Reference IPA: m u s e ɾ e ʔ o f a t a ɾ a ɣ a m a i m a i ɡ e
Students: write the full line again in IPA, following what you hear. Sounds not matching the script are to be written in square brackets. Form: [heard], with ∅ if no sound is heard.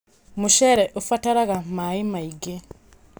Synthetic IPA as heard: m u [ʃ] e ɾ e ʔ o f a t a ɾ a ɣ a m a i m a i ɡ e